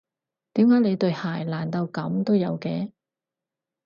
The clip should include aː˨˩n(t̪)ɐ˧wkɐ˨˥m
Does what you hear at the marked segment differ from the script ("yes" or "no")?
no